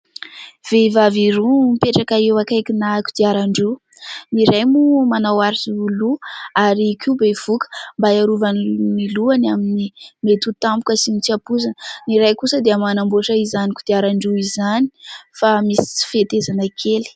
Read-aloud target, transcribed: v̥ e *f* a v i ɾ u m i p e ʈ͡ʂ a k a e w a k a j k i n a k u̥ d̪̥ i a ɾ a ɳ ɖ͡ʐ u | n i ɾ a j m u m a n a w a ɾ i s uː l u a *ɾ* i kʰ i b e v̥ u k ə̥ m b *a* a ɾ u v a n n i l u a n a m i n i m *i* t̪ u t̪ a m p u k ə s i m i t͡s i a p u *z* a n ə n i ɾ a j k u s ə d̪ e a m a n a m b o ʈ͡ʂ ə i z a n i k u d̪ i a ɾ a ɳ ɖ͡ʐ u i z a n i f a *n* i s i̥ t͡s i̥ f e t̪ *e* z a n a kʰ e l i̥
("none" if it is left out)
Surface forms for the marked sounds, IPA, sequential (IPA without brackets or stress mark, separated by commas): v, ɾ, a, e, z, m, e